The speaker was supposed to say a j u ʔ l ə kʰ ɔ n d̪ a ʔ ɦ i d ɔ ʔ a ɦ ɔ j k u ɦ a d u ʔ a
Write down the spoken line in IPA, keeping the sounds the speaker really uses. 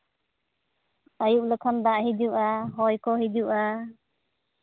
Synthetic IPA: a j u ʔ l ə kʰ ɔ n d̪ a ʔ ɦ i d u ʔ a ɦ ɔ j k ɔ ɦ i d u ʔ a